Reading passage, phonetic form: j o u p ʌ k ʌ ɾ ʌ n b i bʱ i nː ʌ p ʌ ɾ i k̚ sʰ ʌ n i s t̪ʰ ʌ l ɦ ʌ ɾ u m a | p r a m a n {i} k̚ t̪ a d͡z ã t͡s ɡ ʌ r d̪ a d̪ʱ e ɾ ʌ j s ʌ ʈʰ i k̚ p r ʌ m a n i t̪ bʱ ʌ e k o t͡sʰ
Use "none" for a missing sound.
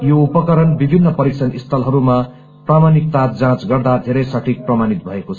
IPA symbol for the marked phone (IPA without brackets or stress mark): i